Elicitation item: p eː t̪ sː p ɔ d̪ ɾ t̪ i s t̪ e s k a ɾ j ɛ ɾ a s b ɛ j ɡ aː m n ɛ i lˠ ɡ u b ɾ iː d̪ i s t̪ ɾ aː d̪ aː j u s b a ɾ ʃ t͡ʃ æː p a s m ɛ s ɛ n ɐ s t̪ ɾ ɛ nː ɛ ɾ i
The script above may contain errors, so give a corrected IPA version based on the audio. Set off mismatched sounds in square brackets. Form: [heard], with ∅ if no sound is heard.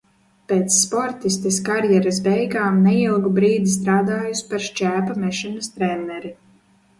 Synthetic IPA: p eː t̪ sː p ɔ [∅] ɾ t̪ i s t̪ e s k a ɾ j ɛ ɾ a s b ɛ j ɡ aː m n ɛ i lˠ ɡ u b ɾ iː d̪ i s t̪ ɾ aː d̪ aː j u s [p] a ɾ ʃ t͡ʃ æː p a [∅] m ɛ [ʃ] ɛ n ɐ s t̪ ɾ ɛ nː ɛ ɾ i